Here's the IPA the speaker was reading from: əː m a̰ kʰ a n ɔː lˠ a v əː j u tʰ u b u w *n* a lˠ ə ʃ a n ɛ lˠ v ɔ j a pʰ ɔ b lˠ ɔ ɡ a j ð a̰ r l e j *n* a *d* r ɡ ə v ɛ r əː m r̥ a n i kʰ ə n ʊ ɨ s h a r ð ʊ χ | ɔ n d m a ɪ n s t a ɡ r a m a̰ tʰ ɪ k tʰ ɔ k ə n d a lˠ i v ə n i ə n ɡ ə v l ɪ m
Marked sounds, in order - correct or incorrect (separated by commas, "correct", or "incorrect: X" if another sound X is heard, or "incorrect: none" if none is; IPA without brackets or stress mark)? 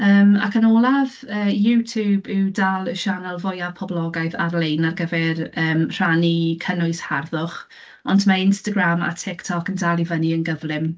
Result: incorrect: d, correct, incorrect: none